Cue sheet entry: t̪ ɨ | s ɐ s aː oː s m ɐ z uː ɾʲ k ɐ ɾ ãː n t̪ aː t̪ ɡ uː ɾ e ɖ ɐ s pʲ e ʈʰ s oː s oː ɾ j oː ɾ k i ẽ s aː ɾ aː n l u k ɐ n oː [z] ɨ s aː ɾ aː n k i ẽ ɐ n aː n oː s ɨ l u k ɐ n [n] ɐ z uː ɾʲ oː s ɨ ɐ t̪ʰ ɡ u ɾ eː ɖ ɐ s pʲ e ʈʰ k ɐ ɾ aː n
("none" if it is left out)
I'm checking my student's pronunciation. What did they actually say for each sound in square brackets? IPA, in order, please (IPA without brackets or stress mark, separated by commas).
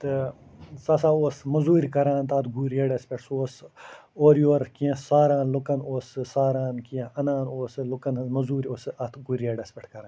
s, m